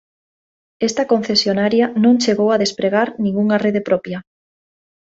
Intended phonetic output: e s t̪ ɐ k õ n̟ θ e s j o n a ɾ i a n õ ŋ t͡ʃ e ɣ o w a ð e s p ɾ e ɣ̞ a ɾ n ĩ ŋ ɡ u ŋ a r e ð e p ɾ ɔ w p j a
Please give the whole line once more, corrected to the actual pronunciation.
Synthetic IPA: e s t̪ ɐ k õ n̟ θ e s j o n a ɾ j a n õ ŋ t͡ʃ e ɣ o w a ð e s p ɾ e ɣ̞ a ɾ n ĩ ŋ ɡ u ŋ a r e ð e p ɾ ɔ p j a